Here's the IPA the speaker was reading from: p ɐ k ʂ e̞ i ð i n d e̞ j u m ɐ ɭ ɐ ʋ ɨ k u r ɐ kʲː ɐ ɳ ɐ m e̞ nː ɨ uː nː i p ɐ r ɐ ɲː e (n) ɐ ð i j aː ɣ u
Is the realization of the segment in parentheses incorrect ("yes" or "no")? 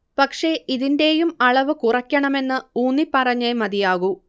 yes